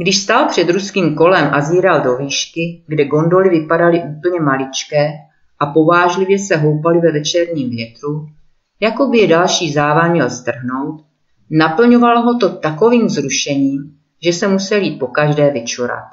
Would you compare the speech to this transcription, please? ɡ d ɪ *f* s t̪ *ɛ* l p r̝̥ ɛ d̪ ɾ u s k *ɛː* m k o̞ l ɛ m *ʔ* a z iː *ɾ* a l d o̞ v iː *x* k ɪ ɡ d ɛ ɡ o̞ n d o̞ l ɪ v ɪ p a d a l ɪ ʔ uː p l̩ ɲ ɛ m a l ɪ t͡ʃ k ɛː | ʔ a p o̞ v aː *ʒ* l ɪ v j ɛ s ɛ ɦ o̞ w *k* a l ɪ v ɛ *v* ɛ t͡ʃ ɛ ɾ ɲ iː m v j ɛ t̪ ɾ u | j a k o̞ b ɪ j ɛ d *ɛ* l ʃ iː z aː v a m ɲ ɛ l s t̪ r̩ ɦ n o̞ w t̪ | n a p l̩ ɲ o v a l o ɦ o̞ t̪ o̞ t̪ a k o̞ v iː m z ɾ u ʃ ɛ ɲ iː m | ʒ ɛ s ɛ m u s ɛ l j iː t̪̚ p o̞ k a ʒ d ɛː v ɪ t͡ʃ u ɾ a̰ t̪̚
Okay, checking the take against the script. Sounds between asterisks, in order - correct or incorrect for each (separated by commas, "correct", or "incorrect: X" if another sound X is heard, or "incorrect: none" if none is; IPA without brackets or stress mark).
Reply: incorrect: ʃ, incorrect: a, incorrect: iː, correct, correct, incorrect: ʃ, correct, incorrect: p, correct, incorrect: a